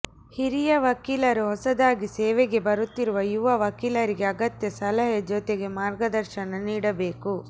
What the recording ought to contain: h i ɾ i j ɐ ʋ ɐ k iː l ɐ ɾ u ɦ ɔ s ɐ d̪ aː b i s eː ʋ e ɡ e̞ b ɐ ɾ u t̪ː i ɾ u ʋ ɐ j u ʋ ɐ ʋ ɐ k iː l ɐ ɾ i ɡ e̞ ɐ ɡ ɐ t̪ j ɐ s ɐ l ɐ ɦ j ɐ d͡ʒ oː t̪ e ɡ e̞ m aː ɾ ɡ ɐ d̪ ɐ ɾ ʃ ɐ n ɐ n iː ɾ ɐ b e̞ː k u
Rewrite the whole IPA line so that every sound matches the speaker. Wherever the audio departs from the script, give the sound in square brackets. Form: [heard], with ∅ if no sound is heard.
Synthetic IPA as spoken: h i ɾ i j ɐ ʋ ɐ k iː l ɐ ɾ u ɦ ɔ s ɐ d̪ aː [ɡ] i s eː ʋ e ɡ e̞ b ɐ ɾ u t̪ː i ɾ u ʋ ɐ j u ʋ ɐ ʋ ɐ k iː l ɐ ɾ i ɡ e̞ ɐ ɡ ɐ t̪ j ɐ s ɐ l ɐ ɦ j ɐ d͡ʒ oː t̪ e ɡ e̞ m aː ɾ ɡ ɐ d̪ ɐ ɾ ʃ ɐ n ɐ n iː [ɽ] ɐ b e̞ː k u